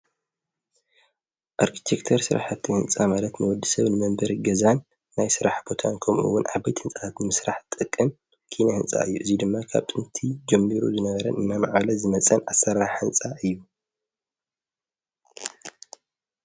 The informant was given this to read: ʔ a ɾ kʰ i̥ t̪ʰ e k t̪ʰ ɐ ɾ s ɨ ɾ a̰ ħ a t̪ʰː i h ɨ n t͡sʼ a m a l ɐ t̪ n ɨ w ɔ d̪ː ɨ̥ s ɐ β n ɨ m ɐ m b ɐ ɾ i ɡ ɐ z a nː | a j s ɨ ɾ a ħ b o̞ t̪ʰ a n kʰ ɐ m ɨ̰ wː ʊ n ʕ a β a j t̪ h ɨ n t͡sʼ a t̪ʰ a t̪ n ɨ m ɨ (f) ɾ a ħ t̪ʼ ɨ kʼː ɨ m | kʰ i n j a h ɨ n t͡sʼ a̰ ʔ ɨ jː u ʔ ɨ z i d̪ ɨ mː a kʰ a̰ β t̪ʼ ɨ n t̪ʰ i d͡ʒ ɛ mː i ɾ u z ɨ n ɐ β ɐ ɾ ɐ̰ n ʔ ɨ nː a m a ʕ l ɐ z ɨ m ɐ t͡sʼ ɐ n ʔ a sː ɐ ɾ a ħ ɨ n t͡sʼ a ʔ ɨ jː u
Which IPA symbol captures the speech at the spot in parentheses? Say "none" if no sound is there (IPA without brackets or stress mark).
s